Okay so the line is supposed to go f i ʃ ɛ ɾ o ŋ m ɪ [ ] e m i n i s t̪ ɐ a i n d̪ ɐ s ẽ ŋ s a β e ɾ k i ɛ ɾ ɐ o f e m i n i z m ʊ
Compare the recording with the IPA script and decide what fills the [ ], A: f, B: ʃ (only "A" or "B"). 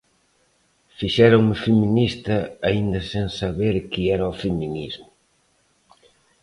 A